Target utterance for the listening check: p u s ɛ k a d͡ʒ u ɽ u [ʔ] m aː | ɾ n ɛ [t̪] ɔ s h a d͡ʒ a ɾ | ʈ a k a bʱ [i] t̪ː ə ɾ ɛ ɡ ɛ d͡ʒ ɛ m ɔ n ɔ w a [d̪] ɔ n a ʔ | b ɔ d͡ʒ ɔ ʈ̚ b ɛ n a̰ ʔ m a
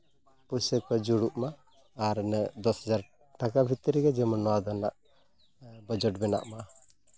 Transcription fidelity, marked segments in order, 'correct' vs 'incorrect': correct, incorrect: d̪, correct, correct

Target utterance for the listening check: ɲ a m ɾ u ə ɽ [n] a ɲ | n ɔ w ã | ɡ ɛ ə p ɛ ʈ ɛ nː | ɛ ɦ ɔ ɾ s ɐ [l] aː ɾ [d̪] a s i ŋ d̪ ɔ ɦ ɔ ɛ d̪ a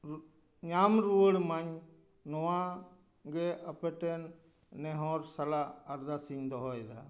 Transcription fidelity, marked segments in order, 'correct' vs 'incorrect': incorrect: m, correct, correct

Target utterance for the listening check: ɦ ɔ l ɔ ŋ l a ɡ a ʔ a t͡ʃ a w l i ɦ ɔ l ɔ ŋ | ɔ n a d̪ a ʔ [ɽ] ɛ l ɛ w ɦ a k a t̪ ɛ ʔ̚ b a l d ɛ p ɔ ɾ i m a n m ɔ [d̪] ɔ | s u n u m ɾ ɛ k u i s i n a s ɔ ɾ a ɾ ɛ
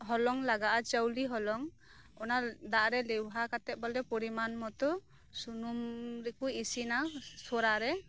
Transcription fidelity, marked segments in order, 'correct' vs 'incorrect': incorrect: ɾ, incorrect: t̪

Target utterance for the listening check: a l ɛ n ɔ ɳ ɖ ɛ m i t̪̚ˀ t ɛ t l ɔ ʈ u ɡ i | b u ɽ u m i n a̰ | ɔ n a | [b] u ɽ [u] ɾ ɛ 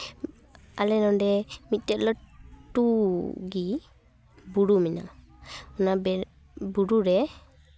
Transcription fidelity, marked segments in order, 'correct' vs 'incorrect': correct, correct

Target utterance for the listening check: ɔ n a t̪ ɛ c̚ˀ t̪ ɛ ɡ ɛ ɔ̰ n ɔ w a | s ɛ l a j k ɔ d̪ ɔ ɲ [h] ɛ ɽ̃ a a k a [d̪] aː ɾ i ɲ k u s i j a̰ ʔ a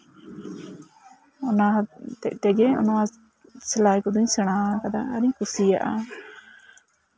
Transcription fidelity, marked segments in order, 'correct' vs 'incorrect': incorrect: s, correct

